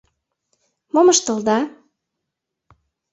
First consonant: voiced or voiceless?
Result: voiced